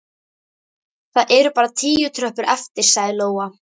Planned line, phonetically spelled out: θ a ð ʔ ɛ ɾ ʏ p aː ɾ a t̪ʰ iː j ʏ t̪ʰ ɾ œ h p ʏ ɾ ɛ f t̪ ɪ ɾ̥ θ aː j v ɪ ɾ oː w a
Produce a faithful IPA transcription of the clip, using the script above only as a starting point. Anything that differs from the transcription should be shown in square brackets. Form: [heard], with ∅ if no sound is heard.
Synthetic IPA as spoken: θ a ð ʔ ɛ ɾ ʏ p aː ɾ a t̪ʰ iː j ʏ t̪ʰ ɾ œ h p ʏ ɾ ɛ f t̪ ɪ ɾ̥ [s] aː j [ð] ɪ [l] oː w a